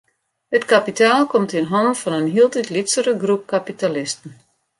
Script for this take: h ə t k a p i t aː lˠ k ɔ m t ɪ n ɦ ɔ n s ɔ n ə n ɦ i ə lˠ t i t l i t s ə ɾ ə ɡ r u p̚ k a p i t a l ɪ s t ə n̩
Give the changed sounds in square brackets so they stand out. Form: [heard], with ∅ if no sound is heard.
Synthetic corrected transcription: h ə t k a p i t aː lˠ k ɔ m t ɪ n ɦ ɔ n [f] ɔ n ə n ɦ i ə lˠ t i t l i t s ə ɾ ə ɡ r u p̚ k a p i t a l ɪ s t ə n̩